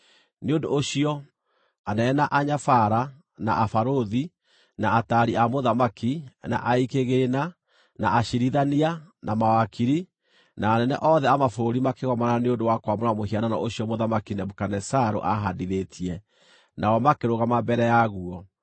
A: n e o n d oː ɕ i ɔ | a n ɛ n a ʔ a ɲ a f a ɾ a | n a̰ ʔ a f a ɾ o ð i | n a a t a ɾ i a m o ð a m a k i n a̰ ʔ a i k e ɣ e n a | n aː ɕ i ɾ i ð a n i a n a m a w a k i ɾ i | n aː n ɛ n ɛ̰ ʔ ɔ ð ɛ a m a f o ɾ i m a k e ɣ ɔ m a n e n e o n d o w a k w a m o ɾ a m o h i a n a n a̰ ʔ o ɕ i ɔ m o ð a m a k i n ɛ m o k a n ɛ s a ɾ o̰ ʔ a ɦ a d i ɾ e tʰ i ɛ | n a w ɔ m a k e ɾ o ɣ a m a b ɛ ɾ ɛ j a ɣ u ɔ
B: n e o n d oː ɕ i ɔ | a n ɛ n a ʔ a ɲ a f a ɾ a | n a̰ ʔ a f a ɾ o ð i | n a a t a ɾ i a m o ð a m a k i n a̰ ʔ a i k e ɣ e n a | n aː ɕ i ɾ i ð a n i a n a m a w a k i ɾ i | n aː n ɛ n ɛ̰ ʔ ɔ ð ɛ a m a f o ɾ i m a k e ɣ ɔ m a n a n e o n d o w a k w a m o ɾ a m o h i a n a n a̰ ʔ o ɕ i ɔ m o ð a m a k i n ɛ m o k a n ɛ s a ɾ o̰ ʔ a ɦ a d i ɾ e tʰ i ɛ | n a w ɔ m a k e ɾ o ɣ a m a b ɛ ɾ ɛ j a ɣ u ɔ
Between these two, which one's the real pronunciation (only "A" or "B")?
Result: B